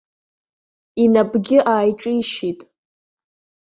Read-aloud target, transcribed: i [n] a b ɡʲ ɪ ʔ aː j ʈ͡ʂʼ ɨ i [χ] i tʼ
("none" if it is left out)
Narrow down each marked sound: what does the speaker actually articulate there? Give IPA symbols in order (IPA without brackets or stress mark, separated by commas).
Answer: n, ʃ